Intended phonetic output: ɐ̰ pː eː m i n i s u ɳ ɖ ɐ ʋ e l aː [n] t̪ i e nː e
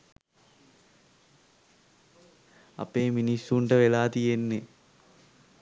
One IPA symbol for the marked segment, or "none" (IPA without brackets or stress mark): none